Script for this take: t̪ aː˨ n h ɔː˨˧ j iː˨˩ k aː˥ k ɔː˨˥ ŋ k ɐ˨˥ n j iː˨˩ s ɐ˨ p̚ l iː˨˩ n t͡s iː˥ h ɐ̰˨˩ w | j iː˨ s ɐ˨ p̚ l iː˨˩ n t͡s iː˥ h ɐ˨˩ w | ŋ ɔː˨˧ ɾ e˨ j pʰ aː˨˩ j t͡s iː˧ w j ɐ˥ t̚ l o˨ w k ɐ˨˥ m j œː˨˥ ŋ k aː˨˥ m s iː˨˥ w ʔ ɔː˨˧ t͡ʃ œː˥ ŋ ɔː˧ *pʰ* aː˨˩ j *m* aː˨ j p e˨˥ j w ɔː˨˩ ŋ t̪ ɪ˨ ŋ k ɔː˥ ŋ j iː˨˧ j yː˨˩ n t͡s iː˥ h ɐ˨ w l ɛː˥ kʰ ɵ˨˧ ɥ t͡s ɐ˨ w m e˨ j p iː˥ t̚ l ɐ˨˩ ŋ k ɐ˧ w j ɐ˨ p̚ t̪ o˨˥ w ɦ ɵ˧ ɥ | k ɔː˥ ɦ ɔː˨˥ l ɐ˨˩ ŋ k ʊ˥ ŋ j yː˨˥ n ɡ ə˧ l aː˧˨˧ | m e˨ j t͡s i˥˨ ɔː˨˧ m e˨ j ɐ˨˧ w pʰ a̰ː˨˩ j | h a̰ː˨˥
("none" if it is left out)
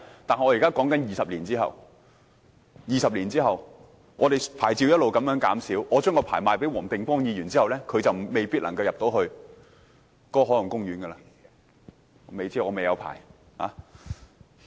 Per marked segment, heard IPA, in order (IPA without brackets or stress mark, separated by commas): pʰ, m